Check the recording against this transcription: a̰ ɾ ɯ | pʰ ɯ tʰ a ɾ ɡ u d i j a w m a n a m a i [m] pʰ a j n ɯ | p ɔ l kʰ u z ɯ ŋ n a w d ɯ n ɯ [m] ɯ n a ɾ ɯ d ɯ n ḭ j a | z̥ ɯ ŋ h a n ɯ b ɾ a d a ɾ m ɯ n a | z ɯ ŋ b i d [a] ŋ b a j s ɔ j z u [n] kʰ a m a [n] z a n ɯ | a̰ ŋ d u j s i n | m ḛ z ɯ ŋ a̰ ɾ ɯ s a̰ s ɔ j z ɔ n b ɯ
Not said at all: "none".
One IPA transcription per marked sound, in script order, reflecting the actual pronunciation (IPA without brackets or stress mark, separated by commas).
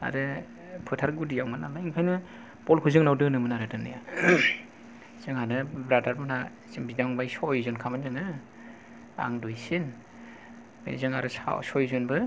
ŋ, m, a, n, n